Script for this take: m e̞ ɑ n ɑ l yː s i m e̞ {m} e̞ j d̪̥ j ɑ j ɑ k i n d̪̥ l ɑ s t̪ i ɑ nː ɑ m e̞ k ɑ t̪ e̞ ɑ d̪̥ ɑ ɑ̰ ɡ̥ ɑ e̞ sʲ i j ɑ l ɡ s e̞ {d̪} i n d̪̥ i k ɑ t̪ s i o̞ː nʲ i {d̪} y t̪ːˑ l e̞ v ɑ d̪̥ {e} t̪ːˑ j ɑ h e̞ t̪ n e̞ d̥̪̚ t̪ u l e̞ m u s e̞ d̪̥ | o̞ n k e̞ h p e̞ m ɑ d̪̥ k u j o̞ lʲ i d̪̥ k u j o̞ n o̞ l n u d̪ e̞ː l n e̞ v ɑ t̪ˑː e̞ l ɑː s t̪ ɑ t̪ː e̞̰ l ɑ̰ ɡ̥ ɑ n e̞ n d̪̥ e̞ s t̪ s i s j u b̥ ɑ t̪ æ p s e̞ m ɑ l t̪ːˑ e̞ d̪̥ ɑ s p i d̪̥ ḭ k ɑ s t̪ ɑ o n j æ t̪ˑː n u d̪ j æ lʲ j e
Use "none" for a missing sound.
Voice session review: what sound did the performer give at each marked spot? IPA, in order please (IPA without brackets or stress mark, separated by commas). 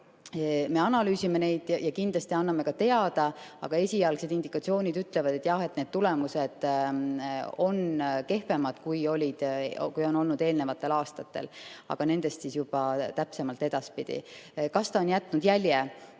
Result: n, d̪, d̪, e